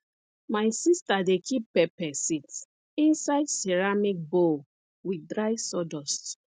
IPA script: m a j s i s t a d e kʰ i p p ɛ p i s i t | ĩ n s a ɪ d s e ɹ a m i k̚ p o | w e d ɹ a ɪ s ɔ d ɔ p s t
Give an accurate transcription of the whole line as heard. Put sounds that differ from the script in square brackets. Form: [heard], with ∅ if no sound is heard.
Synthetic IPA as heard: m a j s i s t a d e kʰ i p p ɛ p [ɛ] s i t | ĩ n s a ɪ d s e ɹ a m i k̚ [b] o | w [i] d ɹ a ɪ s ɔ d ɔ [∅] s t

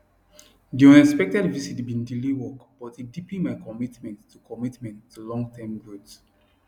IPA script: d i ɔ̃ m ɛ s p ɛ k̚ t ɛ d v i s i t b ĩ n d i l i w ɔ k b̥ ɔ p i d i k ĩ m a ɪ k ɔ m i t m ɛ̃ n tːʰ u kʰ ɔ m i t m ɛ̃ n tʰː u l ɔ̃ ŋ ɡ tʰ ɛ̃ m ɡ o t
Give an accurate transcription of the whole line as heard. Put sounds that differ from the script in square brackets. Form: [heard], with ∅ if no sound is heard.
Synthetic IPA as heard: d i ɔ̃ [n] ɛ s p ɛ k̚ t ɛ d v i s i t b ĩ n d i l i w ɔ k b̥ ɔ [t] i d i [p] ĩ m a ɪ k ɔ m i t m ɛ̃ n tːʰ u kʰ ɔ m i t m ɛ̃ n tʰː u l ɔ̃ ŋ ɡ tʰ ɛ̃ m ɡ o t

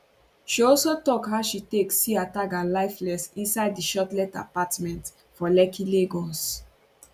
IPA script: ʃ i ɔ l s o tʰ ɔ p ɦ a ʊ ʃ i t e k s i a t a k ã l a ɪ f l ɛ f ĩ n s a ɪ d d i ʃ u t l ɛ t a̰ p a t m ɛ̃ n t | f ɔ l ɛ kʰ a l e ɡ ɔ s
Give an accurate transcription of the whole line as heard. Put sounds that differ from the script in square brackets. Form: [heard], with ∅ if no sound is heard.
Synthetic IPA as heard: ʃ i ɔ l s o [t] ɔ [k] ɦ a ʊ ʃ i t e k s i a t a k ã l a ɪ f l ɛ [s] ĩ n s a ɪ d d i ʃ [ɔ] t l ɛ t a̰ p a t m ɛ̃ n t | f ɔ l ɛ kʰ [i] l e ɡ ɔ s

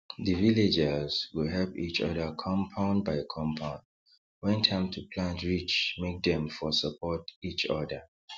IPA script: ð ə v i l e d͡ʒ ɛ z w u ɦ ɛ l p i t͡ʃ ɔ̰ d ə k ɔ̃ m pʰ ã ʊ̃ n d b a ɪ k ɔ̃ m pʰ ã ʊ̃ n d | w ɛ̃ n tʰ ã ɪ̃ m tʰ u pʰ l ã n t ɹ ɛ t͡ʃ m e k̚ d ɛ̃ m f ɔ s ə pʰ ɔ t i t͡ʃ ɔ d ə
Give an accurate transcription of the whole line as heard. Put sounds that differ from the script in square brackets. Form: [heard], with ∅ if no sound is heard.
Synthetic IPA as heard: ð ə v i l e d͡ʒ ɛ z w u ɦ ɛ l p i t͡ʃ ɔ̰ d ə [kʰ] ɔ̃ m pʰ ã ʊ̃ n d b a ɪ [kʰ] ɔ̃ m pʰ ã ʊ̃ n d | w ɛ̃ n tʰ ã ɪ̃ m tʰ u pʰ l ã n t ɹ [i] t͡ʃ m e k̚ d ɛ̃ m f ɔ s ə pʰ ɔ t i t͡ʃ ɔ d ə

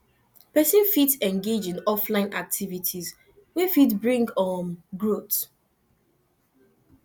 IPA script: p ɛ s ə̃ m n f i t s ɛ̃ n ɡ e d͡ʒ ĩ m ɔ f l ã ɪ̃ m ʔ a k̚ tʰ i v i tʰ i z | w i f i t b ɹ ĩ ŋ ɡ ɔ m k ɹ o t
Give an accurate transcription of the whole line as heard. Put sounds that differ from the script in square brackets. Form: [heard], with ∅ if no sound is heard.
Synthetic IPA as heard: p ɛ s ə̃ [∅] n f i t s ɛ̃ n ɡ e d͡ʒ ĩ [n] ɔ f l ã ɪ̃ [n] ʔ a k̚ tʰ i v i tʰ i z | w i f i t b ɹ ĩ ŋ ɡ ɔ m [ɡ] ɹ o t

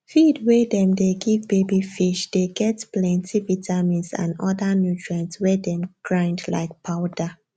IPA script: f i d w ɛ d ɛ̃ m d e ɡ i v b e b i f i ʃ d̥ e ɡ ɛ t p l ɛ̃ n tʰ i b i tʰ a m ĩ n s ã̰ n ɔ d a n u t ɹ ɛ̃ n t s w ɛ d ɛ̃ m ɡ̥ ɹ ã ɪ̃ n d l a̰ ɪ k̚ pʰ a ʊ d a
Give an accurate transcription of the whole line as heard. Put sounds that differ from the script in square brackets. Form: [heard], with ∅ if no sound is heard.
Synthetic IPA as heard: f i d w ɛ d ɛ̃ m d e ɡ i v b e b i f i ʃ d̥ e ɡ ɛ t p l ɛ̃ n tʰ i [v] i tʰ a m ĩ n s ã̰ n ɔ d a n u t ɹ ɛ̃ n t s w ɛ d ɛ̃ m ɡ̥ ɹ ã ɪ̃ n d l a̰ ɪ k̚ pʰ a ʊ d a

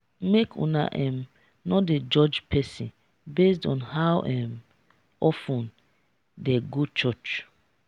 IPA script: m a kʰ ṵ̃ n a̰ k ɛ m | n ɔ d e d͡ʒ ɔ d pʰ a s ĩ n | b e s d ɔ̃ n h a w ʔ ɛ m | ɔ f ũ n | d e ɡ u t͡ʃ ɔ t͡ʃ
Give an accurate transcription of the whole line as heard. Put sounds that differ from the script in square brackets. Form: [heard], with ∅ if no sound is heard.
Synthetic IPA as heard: m [e] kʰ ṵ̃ n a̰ [ʔ] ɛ m | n ɔ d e d͡ʒ ɔ [d͡ʒ] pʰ [ɛ] s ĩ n | b e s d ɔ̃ n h a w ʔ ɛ m | ɔ f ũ n | d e ɡ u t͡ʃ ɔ t͡ʃ

